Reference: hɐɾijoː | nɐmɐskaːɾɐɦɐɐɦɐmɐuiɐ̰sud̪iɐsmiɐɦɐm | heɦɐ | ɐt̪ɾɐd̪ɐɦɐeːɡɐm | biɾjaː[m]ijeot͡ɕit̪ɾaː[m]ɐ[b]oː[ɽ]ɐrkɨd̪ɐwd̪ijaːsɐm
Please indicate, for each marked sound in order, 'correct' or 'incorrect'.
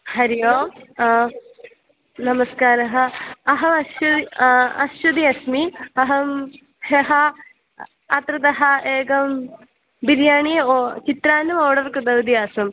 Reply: incorrect, incorrect, incorrect, correct

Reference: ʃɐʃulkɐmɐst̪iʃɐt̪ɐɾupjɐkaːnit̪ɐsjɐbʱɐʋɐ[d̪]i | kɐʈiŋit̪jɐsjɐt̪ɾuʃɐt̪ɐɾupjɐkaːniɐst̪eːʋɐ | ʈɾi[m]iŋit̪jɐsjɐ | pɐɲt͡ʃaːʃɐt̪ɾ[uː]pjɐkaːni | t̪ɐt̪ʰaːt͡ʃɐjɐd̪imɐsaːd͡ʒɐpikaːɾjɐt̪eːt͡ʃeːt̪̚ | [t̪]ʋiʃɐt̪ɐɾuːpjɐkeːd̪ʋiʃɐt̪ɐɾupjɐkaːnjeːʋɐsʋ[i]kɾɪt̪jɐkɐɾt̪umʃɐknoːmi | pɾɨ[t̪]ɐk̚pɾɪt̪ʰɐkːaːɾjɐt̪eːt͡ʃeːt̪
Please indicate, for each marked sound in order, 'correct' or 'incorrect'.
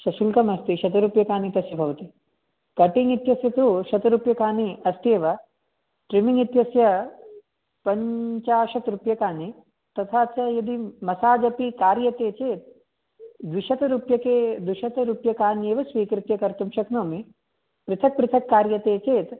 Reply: incorrect, correct, incorrect, incorrect, incorrect, incorrect

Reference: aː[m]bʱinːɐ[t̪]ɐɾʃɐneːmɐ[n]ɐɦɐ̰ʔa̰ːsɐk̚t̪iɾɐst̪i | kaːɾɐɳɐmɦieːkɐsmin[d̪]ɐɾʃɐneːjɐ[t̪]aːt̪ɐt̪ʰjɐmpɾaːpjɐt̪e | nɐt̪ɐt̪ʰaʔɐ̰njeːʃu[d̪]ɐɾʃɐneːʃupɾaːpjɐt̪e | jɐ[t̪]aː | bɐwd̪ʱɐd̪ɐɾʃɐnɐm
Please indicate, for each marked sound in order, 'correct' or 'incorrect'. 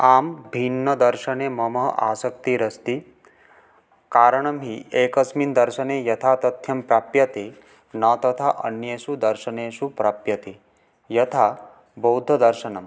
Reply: correct, incorrect, incorrect, correct, incorrect, correct, incorrect

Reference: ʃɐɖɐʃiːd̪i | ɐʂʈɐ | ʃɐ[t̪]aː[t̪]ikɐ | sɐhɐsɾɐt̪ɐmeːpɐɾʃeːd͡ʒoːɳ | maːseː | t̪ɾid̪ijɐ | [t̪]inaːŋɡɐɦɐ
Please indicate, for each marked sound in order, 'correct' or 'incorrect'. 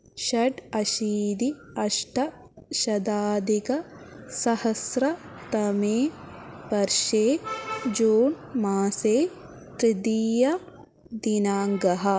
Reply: incorrect, incorrect, incorrect

